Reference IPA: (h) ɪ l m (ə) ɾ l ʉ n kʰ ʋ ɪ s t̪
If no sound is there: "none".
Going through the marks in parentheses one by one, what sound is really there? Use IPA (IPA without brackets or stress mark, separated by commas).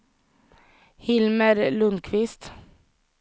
h, ə